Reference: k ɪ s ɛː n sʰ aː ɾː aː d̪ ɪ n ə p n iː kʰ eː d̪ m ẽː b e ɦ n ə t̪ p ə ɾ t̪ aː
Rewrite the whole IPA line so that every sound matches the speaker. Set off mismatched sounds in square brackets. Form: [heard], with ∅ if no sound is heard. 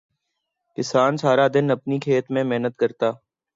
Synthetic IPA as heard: k ɪ s [aː] n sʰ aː [ɾ] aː d̪ ɪ n ə p n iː kʰ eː [t̪] m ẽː [m] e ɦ n ə t̪ [k] ə ɾ t̪ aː